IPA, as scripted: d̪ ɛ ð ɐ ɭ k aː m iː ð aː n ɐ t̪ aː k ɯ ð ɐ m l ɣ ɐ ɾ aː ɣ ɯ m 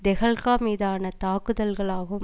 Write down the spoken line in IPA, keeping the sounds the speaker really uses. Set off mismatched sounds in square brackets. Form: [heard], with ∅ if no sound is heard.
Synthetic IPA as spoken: d̪ ɛ [ɣ] ɐ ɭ k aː m iː ð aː n ɐ t̪ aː k ɯ ð ɐ [∅] l ɣ ɐ [ɭ] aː ɣ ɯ m